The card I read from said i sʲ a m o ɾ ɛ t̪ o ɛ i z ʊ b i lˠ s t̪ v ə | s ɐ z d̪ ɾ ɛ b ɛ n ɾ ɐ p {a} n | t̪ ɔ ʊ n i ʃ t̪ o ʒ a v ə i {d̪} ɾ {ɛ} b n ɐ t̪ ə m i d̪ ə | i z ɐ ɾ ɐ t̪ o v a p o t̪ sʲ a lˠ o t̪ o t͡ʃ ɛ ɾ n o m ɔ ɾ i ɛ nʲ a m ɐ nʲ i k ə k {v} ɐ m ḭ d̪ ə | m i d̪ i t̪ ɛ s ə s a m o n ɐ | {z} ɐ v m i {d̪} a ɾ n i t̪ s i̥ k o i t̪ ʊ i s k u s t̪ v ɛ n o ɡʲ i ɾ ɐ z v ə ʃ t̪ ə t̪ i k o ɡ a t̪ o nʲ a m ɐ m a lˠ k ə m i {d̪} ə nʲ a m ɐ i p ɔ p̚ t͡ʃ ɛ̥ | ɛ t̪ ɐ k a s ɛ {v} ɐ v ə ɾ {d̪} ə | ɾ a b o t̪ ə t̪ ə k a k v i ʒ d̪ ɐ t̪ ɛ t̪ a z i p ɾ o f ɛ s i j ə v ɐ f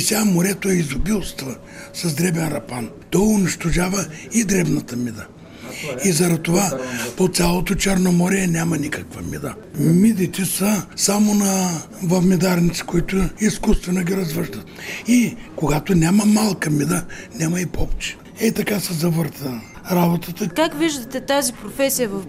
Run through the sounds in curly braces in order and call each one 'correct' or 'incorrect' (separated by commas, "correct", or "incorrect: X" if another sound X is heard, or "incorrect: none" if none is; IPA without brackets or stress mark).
correct, correct, correct, correct, incorrect: v, correct, correct, incorrect: z, incorrect: t̪